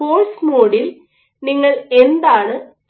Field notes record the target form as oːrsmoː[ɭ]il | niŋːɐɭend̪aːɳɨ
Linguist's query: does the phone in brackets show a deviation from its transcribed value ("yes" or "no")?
yes